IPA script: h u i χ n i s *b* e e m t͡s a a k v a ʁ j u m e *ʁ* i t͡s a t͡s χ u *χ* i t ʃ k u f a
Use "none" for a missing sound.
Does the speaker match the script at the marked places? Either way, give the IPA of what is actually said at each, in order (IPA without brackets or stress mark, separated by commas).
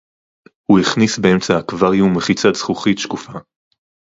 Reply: b, χ, χ